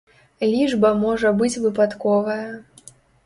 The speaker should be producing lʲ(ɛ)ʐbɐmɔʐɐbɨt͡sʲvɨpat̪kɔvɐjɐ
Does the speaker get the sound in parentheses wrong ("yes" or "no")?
yes